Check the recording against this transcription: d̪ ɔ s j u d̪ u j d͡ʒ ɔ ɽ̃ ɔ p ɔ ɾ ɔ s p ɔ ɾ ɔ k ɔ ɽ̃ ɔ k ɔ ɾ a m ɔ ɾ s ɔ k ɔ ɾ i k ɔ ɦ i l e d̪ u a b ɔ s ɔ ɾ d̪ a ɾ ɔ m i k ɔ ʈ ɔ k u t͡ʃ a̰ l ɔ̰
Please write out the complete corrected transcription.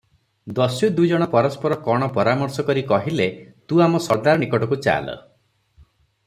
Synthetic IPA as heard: d̪ ɔ s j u d̪ u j d͡ʒ ɔ ɽ̃ ɔ p ɔ ɾ ɔ s p ɔ ɾ ɔ k ɔ ɽ̃ ɔ p ɔ ɾ a m ɔ ɾ s ɔ k ɔ ɾ i k ɔ ɦ i l e t̪ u a m ɔ s ɔ ɾ d̪ a ɾ ɔ n i k ɔ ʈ ɔ k u t͡ʃ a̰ l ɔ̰